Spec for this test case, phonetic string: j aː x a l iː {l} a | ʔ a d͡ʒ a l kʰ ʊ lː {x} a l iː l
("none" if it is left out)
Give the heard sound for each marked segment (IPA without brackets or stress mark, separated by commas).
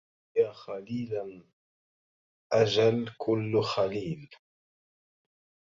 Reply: l, x